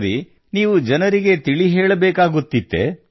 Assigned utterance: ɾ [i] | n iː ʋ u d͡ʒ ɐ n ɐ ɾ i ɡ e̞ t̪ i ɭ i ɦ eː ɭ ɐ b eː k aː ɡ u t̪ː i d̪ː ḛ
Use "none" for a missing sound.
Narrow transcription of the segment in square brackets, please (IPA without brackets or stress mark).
i